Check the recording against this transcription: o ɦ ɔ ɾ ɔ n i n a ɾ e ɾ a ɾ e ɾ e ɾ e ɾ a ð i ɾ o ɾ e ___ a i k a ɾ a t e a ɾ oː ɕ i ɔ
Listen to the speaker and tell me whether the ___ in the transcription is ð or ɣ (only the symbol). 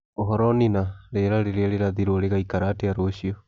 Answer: ɣ